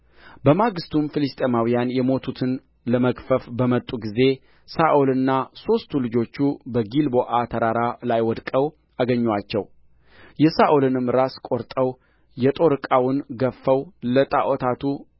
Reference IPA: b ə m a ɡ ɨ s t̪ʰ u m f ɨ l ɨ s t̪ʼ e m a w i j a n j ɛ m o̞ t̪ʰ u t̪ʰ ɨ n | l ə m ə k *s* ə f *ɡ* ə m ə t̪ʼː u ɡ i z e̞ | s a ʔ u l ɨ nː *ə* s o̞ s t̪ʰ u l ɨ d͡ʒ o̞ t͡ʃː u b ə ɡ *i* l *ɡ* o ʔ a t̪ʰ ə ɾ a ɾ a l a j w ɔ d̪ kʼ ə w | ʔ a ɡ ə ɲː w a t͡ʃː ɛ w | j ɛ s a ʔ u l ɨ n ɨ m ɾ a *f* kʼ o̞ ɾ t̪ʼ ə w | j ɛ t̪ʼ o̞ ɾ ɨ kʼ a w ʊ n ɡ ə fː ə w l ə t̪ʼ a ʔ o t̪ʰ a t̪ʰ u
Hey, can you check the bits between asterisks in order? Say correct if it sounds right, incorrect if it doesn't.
incorrect, incorrect, incorrect, correct, incorrect, incorrect

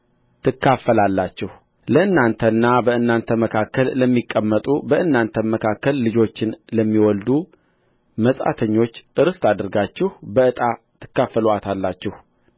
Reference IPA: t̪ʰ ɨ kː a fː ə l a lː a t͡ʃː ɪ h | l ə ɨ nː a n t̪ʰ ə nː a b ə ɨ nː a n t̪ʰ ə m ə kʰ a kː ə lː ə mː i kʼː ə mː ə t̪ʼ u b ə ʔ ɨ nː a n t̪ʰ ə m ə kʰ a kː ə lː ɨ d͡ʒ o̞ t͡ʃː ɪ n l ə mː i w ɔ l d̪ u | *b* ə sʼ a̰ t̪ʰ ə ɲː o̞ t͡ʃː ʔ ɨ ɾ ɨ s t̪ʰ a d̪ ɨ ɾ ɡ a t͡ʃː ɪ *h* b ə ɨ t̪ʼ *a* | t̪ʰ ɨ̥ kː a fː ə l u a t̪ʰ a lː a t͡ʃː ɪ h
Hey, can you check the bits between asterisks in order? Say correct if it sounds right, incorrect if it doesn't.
incorrect, correct, correct

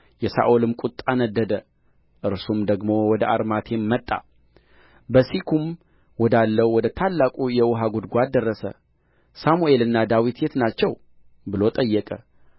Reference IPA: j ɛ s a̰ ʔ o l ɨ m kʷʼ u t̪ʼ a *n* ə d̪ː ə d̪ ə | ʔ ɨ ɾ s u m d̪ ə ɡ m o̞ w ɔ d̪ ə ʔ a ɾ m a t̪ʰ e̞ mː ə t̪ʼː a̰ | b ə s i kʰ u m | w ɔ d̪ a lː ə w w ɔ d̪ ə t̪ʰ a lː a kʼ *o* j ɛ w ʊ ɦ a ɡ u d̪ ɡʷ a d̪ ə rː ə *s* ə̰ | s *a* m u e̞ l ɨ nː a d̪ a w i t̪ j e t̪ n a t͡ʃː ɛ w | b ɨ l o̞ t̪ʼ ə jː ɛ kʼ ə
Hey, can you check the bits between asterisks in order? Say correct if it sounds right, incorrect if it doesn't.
correct, incorrect, correct, correct

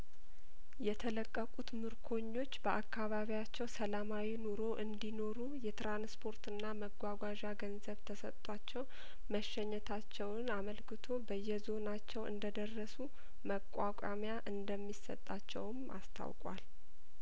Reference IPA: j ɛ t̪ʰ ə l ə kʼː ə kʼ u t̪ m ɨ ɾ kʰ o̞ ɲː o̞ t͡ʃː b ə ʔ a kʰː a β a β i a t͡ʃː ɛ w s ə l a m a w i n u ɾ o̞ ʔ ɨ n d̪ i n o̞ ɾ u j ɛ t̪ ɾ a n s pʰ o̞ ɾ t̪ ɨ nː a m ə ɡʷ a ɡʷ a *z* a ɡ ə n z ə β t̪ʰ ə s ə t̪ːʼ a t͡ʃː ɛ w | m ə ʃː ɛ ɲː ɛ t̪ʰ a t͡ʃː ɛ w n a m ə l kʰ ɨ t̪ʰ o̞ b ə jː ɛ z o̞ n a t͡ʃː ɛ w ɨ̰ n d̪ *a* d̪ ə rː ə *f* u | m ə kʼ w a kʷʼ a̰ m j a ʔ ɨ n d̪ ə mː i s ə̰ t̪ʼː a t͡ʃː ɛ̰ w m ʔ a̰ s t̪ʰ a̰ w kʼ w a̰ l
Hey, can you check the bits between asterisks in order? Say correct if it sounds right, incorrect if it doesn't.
incorrect, incorrect, incorrect

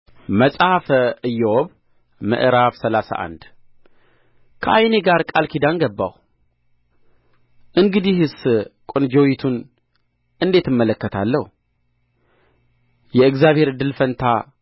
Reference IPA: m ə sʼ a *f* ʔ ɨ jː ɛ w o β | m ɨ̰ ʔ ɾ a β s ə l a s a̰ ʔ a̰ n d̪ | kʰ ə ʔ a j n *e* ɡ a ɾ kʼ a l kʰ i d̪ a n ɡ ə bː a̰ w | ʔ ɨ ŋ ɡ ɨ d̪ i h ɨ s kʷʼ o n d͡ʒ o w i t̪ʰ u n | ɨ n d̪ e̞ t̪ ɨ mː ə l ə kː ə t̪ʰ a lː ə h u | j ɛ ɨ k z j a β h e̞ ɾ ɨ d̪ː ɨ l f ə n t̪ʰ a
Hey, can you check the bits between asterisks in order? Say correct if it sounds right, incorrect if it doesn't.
correct, correct

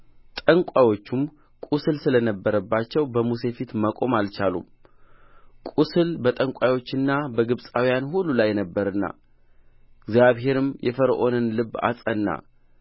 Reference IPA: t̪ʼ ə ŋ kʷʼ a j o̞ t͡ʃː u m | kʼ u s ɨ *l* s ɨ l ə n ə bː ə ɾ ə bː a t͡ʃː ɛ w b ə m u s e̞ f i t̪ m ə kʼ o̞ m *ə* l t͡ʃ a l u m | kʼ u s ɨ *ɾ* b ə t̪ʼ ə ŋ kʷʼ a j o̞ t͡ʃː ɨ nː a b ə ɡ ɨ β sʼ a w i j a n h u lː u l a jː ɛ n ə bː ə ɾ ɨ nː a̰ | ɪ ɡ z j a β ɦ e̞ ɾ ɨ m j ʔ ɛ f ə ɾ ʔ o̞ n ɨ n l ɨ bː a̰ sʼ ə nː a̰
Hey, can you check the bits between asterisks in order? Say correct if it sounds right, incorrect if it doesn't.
correct, incorrect, incorrect

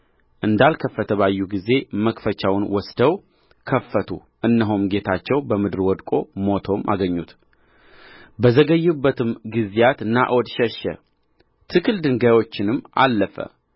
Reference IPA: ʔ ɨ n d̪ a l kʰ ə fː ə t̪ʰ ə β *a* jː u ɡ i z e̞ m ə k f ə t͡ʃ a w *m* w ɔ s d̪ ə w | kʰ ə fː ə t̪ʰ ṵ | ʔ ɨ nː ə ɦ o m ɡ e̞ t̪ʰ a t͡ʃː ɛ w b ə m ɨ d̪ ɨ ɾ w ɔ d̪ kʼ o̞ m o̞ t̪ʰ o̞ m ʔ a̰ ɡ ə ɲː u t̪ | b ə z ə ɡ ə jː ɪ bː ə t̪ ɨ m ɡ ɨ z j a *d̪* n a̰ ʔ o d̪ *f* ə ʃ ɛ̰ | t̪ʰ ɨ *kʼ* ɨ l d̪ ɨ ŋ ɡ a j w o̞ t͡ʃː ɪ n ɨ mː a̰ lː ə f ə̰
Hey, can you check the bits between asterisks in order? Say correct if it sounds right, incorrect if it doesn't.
correct, incorrect, incorrect, incorrect, incorrect

